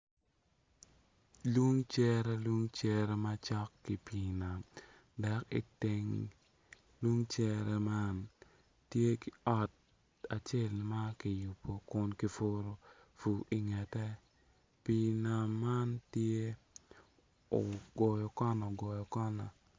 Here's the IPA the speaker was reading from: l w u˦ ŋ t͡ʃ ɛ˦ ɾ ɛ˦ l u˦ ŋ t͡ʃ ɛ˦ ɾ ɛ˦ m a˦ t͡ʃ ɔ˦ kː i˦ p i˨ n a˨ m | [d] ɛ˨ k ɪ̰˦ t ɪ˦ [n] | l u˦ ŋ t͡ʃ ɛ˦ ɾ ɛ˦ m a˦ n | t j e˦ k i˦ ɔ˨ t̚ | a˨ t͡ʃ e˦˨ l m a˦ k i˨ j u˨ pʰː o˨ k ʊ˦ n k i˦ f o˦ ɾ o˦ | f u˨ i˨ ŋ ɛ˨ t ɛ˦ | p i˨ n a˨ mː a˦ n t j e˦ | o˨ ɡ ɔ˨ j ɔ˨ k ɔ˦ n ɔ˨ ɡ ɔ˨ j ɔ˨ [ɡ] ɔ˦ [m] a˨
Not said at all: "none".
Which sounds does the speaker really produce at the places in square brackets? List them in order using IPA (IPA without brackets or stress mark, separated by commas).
d, ŋ, k, n